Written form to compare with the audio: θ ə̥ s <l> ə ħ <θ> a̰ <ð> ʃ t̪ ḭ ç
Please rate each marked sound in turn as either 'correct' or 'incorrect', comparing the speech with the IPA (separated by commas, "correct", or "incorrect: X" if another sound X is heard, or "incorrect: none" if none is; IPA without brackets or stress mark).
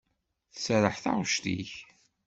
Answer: incorrect: ɾ, correct, incorrect: ʁ